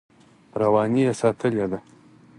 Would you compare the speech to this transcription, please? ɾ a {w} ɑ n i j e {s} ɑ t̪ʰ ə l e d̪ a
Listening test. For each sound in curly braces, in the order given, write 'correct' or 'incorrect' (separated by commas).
correct, correct